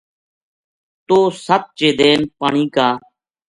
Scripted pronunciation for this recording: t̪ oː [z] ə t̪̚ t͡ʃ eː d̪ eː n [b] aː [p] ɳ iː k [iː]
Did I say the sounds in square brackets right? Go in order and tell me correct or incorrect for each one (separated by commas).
incorrect, incorrect, incorrect, incorrect